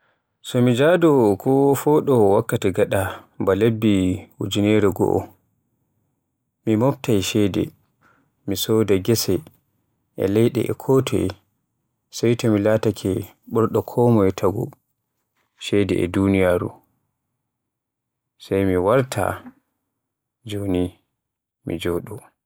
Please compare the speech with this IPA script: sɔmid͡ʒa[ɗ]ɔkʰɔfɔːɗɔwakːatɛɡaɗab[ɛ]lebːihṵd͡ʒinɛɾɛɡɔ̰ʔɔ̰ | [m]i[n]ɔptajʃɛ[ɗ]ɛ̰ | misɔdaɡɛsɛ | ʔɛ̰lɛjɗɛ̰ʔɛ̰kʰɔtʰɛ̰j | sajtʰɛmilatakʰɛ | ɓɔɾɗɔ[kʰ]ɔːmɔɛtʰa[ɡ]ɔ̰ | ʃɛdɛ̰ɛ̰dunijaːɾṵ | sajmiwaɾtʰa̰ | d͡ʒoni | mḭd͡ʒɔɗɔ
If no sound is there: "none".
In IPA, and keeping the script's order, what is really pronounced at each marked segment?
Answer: d, a, m, m, d, kʰ, ɡ

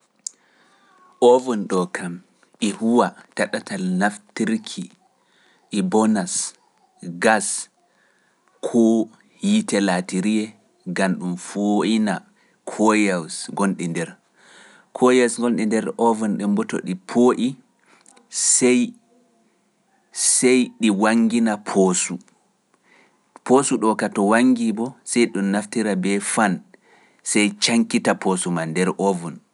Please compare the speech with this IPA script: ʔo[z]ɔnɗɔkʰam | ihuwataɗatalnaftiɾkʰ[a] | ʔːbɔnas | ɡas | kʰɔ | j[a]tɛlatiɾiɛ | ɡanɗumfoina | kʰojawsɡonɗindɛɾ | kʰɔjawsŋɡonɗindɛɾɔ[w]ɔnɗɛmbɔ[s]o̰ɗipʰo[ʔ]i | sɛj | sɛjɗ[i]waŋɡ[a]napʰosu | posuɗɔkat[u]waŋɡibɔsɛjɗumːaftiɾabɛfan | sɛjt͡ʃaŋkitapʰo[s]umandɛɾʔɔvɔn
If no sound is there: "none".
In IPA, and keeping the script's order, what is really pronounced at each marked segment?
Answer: v, i, i, v, t, ʔ, i, i, ɔ, s

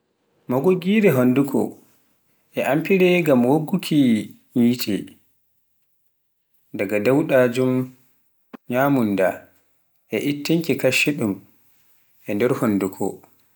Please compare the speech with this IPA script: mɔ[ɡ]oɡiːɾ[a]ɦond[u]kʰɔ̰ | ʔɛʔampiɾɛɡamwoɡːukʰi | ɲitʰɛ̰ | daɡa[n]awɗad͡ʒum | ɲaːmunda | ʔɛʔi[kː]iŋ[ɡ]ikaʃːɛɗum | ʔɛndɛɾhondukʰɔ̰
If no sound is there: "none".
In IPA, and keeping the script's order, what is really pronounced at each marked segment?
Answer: ɡ, ɛ, u, d, tː, k

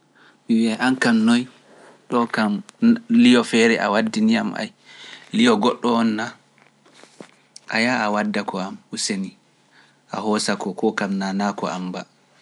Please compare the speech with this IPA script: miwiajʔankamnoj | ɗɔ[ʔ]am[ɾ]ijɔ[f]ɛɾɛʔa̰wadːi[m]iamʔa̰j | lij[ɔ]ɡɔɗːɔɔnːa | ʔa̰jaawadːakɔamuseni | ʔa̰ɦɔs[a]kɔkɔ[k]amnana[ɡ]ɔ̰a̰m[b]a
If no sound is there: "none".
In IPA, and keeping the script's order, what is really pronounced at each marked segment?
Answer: k, l, f, n, ɔ, a, k, k, b

